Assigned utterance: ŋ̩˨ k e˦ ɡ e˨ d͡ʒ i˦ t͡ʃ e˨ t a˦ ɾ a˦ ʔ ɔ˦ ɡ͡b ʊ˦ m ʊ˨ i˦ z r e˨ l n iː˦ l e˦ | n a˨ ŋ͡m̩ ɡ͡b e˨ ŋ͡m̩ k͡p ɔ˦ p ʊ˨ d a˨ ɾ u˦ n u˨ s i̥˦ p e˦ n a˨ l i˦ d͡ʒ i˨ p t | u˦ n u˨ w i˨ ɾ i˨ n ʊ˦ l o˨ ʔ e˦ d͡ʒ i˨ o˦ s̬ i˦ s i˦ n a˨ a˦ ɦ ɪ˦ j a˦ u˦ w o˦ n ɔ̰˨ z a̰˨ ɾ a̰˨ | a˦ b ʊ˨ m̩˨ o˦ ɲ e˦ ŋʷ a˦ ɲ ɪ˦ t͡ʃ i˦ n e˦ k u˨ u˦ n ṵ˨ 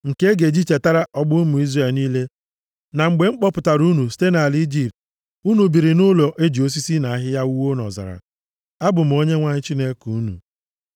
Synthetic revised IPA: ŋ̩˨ k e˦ ɡ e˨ d͡ʒ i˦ t͡ʃ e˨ t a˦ ɾ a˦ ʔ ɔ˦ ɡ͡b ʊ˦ m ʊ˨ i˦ z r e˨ l n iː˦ l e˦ | n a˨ ŋ͡m̩ ɡ͡b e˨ ŋ͡m̩ k͡p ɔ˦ p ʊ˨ t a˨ ɾ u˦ n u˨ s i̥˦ t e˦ n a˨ l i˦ d͡ʒ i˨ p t | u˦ n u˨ b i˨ ɾ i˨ n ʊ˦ l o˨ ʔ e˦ d͡ʒ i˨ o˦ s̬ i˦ s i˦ n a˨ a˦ ɦ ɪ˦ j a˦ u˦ w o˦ n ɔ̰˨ z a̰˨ ɾ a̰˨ | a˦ b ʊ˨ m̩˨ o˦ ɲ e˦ ŋʷ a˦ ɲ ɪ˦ t͡ʃ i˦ n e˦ k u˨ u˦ n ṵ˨